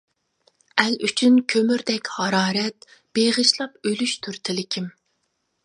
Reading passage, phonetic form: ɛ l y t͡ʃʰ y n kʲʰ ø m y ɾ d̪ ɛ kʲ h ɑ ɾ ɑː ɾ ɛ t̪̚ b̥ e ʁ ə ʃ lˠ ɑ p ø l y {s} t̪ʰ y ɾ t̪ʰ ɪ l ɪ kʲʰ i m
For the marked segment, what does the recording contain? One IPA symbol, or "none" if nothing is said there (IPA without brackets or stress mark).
ʃ